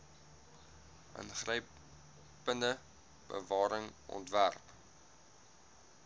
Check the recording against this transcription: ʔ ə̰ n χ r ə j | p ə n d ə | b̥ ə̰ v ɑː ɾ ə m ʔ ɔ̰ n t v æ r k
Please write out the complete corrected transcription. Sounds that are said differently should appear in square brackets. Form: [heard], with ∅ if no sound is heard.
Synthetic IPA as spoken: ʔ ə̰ n χ r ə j | p ə n d ə | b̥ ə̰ v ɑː ɾ ə [ŋ] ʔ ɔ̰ n t v æ r [p]